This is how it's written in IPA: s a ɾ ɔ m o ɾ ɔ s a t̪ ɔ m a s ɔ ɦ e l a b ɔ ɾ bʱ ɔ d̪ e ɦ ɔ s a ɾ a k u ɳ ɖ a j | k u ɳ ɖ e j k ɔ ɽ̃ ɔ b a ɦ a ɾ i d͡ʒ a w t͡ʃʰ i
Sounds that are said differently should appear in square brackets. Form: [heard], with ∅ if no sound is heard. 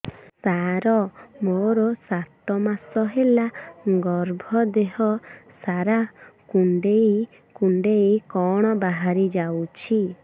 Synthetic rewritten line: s a ɾ ɔ m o ɾ ɔ s a t̪ ɔ m a s ɔ ɦ e l a [ɡ] ɔ ɾ bʱ ɔ d̪ e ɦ ɔ s a ɾ a k u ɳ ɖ [e] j | k u ɳ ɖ e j k ɔ ɽ̃ ɔ b a ɦ a ɾ i d͡ʒ a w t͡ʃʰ i

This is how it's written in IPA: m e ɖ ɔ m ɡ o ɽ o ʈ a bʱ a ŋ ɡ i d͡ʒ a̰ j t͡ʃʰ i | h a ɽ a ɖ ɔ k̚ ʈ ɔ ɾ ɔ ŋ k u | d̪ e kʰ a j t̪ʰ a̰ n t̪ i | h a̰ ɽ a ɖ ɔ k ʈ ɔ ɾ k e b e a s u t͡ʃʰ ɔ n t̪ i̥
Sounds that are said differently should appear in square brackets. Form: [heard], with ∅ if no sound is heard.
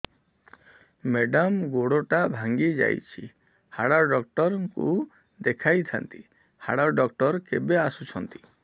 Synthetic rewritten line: m e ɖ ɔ m ɡ o ɽ o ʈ a bʱ a ŋ ɡ i d͡ʒ a̰ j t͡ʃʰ i | h a ɽ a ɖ ɔ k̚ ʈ ɔ ɾ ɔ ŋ k u | d̪ e kʰ a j t̪ʰ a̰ n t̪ i | h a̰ ɽ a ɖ ɔ k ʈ ɔ ɾ k e b e a s u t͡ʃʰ ɔ n t̪ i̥

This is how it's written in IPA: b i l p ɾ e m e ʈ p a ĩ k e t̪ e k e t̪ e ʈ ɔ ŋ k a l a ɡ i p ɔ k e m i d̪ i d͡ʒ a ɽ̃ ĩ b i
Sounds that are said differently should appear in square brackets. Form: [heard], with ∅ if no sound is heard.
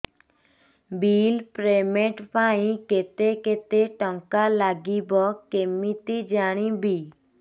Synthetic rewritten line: b i l p ɾ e m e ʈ p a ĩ k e t̪ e k e t̪ e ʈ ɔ ŋ k a l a ɡ i [b] ɔ k e m i [t̪] i d͡ʒ a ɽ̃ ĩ b i

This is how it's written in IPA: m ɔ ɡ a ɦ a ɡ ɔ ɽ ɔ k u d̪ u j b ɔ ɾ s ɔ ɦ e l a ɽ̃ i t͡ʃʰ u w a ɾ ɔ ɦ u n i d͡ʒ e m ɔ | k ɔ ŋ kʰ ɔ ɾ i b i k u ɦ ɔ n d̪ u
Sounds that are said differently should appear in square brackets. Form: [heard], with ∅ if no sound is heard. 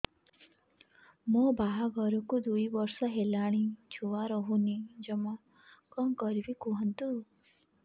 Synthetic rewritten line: m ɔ [b] a ɦ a ɡ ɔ [ɾ] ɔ k u d̪ u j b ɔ ɾ s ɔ ɦ e l a ɽ̃ i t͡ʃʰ u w a ɾ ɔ ɦ u n i d͡ʒ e m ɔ | k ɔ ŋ [k] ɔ ɾ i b i k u ɦ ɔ n [t̪] u

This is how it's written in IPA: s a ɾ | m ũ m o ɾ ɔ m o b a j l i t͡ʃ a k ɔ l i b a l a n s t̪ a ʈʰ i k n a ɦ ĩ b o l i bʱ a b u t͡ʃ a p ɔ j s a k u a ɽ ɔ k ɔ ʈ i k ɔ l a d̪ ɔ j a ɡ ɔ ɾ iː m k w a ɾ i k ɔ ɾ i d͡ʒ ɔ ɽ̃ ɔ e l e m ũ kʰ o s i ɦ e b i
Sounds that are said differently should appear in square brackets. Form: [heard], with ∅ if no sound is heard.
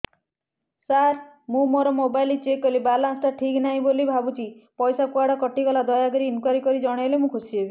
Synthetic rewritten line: s a ɾ | m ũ m o ɾ ɔ m o b a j l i t͡ʃ [e] k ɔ l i b a l a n s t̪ a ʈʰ i k n a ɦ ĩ b o l i bʱ a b u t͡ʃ [i] p ɔ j s a k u a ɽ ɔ k ɔ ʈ i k ɔ l a d̪ ɔ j a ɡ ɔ ɾ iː [n] k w a ɾ i k ɔ ɾ i d͡ʒ ɔ ɽ̃ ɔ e l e m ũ kʰ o s i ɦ e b i

